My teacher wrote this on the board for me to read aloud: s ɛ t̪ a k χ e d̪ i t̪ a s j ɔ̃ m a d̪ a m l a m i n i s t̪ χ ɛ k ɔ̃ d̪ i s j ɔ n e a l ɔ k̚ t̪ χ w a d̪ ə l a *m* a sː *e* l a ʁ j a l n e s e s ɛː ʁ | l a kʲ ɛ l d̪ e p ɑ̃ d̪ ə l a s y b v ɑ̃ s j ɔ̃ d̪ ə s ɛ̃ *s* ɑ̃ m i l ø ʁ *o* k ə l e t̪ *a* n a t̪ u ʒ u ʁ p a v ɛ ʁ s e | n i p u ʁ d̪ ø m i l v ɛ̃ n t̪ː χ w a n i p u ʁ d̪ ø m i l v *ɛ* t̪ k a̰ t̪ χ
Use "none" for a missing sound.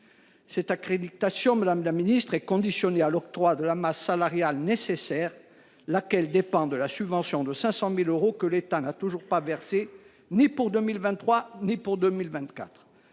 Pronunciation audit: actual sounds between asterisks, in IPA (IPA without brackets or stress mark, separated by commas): m, a, s, o, a, ɛ̃